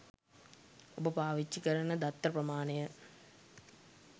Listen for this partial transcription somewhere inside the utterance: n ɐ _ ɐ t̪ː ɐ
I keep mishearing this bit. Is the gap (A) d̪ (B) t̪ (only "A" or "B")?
A